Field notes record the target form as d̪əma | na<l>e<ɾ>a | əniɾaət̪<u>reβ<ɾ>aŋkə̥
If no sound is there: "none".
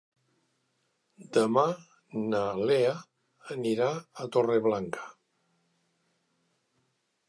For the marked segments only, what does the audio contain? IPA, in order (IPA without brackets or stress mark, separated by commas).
l, none, o, l